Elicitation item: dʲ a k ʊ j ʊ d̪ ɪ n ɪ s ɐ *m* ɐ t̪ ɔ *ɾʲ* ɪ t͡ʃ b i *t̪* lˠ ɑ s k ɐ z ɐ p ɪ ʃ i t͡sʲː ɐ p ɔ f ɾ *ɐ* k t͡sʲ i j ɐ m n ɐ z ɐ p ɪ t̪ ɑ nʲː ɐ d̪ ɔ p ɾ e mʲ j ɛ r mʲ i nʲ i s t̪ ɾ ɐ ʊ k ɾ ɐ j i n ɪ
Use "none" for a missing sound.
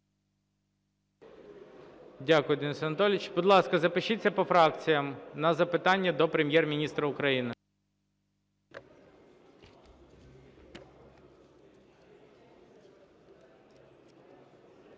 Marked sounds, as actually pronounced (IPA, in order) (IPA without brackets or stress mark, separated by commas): n, lʲ, d̪, ɑ